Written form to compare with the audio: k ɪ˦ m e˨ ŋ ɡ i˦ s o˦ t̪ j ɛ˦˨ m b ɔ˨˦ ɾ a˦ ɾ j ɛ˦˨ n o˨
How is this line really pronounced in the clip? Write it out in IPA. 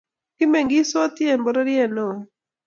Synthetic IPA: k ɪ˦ m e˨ ŋ ɡ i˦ s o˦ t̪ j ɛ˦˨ m b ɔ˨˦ ɾ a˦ ɾ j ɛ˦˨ n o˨